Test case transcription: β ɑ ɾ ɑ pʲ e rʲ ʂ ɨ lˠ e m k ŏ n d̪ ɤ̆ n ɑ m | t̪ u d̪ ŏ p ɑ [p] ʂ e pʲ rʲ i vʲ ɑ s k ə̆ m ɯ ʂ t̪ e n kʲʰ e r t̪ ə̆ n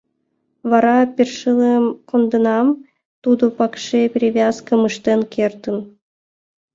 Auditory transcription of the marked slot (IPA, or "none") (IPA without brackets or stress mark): k